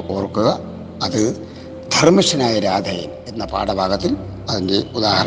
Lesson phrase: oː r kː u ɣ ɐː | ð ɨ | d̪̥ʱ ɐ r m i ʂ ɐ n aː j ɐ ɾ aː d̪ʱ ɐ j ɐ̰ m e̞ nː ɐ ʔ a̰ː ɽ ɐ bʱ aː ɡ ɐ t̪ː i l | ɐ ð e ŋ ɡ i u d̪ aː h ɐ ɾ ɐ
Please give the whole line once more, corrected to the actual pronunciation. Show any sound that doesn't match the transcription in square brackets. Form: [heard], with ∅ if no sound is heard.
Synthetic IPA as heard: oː r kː u ɣ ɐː | ð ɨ | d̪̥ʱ ɐ r m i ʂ ɐ n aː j ɐ ɾ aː d̪ʱ ɐ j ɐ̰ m e̞ nː ɐ [p] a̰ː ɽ ɐ bʱ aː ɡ ɐ t̪ː i l | ɐ ð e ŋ ɡ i u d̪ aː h ɐ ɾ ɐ